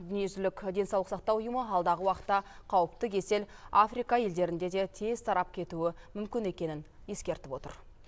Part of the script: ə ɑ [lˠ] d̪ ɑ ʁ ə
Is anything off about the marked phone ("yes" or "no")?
no